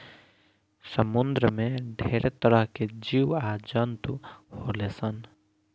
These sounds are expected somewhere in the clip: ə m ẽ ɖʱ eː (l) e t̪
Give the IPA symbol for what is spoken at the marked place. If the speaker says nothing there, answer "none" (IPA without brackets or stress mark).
ɾ